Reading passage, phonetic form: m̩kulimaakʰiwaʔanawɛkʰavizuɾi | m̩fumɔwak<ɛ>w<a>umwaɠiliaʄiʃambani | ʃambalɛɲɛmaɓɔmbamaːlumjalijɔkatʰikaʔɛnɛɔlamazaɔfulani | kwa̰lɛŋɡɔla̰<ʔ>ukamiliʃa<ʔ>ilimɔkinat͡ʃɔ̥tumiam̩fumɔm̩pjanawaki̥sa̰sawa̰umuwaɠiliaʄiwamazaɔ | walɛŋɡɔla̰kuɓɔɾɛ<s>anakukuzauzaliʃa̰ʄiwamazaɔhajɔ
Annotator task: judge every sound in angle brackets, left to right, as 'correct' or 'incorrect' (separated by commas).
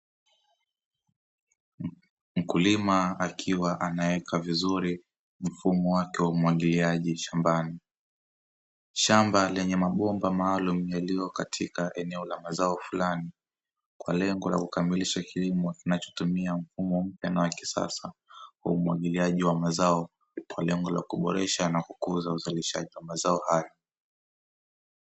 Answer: correct, correct, incorrect, incorrect, incorrect